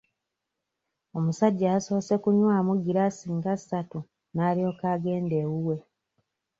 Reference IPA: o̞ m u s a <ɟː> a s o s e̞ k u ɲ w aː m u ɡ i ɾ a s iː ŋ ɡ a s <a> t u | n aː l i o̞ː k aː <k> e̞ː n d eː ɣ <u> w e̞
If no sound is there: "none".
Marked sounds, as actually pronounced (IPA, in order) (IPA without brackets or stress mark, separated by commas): ɟː, a, ɡ, u